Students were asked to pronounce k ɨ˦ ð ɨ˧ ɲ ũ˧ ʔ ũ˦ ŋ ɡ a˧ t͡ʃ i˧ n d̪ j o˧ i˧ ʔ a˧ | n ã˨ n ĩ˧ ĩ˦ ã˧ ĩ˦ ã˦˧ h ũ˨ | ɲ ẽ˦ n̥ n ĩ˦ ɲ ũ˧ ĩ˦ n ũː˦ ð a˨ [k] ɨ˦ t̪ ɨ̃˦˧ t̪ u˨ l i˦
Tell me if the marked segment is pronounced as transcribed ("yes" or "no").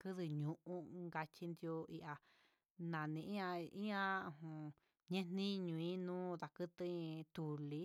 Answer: yes